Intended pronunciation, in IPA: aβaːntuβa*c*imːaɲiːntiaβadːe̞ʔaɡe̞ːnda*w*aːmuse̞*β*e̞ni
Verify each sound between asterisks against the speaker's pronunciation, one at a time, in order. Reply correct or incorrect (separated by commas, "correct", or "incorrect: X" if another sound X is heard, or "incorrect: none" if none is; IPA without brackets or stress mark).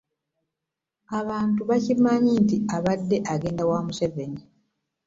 correct, correct, incorrect: v